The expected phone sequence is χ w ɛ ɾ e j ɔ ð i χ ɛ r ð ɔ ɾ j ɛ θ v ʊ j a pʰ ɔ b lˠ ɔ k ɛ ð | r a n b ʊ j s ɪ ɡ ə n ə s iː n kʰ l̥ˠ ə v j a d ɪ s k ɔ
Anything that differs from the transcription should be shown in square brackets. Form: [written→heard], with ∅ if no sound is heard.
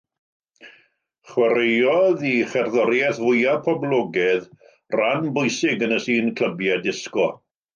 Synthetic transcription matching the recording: χ w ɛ ɾ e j ɔ ð i χ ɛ r ð ɔ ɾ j ɛ θ v ʊ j a pʰ ɔ b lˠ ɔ [k→ɡ] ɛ ð | r a n b ʊ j s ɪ ɡ ə n ə s iː n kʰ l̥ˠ ə [v→b] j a d ɪ s k ɔ